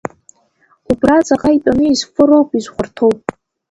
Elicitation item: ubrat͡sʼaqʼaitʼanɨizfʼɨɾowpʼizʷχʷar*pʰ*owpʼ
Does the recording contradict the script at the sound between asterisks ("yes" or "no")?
yes